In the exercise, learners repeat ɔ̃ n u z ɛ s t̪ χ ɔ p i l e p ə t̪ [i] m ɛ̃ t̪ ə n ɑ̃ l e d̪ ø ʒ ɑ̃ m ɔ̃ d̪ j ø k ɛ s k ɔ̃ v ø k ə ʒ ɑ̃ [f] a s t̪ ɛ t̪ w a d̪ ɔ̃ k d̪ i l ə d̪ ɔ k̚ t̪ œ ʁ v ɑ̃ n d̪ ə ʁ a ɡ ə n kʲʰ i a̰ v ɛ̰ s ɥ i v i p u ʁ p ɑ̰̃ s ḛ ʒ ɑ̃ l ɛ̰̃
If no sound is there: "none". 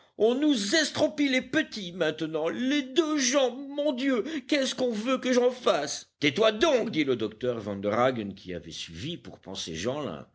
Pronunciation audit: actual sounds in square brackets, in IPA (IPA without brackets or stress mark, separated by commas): i, f